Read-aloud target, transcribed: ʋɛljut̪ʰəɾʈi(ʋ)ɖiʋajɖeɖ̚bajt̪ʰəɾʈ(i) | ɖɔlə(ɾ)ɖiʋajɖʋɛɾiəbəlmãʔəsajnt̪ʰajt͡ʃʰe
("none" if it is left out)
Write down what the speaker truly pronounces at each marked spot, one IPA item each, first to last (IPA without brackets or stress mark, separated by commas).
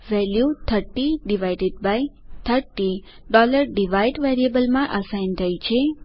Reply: none, i, ɾ